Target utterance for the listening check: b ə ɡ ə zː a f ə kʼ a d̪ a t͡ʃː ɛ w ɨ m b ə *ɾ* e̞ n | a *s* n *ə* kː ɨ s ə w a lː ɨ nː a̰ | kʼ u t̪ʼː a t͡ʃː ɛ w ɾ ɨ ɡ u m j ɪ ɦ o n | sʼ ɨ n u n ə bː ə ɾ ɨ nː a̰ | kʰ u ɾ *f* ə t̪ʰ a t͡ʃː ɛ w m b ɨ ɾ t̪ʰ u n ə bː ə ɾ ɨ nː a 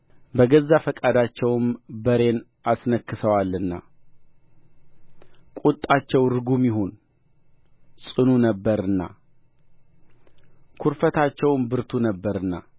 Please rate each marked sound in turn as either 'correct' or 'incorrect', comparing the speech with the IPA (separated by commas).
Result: correct, correct, correct, correct